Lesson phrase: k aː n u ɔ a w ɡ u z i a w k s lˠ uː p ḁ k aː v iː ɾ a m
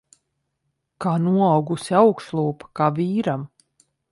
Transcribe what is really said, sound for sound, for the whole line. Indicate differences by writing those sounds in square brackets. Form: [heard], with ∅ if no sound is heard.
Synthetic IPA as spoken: k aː n u ɔ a w ɡ u [s] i a w k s lˠ uː p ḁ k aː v iː ɾ a m